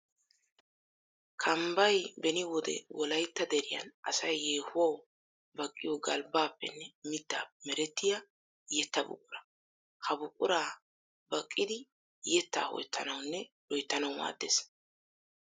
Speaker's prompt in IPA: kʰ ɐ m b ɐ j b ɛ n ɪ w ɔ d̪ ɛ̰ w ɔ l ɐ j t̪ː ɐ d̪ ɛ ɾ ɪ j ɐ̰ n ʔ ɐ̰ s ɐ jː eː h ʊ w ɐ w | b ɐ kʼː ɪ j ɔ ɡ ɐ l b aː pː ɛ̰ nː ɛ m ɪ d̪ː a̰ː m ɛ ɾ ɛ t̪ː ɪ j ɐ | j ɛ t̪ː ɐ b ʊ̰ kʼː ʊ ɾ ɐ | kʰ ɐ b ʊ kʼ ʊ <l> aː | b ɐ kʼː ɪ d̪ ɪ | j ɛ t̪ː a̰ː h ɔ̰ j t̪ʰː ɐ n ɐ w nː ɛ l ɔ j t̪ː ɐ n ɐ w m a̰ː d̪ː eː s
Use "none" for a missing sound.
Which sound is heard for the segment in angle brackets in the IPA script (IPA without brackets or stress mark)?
ɾ